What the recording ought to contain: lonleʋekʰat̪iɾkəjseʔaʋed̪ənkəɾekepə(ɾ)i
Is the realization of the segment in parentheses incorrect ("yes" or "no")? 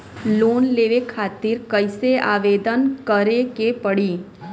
yes